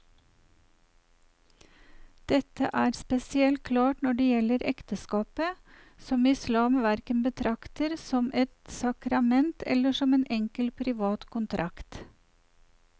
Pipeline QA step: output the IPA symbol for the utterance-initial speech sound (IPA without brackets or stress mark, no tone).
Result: d̪̥